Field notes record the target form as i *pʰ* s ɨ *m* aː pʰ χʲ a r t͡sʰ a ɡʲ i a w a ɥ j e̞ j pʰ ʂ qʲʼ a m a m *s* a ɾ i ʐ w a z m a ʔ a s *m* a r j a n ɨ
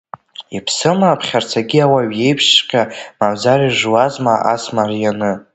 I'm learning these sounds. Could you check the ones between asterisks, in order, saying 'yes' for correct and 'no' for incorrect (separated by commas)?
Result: yes, yes, no, yes